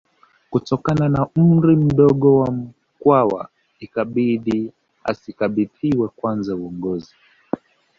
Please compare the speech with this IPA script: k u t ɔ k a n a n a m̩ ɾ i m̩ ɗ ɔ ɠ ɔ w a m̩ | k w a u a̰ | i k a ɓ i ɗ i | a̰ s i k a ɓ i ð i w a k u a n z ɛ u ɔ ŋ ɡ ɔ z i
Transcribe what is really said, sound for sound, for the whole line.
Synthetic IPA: k u t ɔ k a n a n a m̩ ɾ i m̩ ɗ ɔ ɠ ɔ w a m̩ | k w a w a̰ | i k a ɓ i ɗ i | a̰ s i k a ɓ i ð i w ɛ k w a n z a u ɔ ŋ ɡ ɔ z i